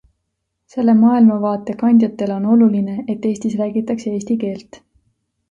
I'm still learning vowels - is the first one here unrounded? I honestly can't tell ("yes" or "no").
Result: yes